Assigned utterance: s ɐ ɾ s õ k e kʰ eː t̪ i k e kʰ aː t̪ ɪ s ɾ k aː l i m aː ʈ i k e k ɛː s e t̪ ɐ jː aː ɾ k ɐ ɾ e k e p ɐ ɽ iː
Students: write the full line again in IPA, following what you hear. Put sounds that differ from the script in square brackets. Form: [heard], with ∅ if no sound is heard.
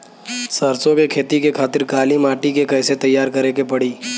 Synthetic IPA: s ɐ ɾ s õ k e kʰ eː t̪ i k e kʰ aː t̪ ɪ [∅] ɾ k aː l i m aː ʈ i k e k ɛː s e t̪ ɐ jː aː ɾ k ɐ ɾ e k e p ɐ ɽ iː